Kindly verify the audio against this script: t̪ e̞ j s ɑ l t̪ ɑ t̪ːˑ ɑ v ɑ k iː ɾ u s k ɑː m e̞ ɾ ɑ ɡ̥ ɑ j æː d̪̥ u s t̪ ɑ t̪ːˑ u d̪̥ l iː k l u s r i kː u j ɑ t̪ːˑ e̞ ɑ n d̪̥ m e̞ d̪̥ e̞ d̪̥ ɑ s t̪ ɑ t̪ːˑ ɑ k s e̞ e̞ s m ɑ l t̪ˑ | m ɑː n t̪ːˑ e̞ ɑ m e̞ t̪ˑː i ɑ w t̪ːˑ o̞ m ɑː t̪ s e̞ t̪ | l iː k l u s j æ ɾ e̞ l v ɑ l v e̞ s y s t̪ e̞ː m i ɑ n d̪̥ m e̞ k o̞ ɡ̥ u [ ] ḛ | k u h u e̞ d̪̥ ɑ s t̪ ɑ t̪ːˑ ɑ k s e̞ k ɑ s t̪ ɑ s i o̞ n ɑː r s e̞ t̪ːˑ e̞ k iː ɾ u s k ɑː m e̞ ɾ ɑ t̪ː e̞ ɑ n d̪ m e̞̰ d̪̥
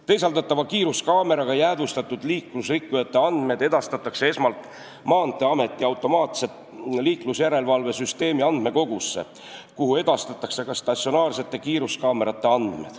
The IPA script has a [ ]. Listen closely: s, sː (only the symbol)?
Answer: sː